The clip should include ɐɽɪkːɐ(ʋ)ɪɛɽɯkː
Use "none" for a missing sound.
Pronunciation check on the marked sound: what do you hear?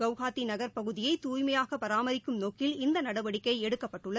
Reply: none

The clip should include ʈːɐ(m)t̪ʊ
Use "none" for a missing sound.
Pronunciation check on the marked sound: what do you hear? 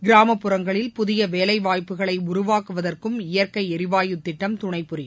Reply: m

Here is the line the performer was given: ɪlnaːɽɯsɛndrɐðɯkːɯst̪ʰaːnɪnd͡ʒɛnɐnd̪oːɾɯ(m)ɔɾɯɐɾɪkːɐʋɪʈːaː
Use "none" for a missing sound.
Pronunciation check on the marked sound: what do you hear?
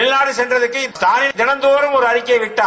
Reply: m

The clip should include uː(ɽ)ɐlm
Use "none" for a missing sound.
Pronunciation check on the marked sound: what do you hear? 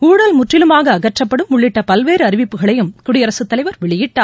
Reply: ɽ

